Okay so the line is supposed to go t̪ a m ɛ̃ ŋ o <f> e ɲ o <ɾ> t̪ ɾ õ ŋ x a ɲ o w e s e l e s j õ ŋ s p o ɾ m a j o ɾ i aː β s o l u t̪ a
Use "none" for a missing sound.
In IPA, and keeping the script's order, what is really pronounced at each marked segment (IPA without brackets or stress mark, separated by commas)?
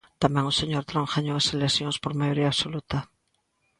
s, ɾ